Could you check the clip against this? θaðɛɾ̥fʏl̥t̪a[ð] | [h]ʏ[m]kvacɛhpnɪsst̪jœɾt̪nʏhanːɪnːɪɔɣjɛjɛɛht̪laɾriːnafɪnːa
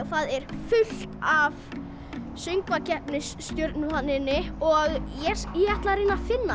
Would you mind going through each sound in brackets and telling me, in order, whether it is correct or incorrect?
incorrect: v, incorrect: s, incorrect: ŋ

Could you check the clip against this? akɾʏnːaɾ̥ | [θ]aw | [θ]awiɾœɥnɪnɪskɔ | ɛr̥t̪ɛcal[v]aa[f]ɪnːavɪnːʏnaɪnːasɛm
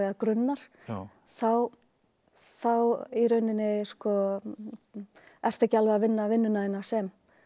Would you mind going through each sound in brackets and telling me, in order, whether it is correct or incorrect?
correct, correct, correct, incorrect: v

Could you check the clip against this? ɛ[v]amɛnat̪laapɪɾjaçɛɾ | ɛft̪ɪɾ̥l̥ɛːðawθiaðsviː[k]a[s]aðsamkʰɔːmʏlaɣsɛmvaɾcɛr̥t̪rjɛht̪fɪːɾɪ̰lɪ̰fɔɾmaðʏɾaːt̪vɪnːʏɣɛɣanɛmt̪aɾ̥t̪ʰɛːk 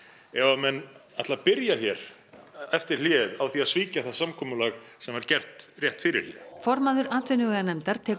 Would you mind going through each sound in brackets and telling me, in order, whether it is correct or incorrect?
correct, incorrect: c, incorrect: θ

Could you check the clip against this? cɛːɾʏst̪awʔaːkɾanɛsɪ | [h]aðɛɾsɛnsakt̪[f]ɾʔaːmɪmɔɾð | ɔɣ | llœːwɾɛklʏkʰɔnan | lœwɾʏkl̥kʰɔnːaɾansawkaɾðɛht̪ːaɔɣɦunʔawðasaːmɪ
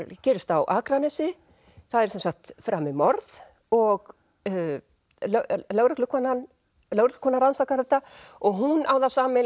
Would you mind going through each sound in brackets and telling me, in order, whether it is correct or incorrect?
incorrect: θ, correct

